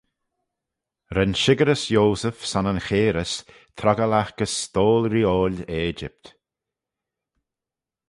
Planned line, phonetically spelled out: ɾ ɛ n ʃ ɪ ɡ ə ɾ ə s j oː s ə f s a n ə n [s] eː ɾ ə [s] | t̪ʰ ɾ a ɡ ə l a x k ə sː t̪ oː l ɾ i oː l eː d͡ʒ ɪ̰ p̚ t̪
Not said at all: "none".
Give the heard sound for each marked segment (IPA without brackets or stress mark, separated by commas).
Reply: x, s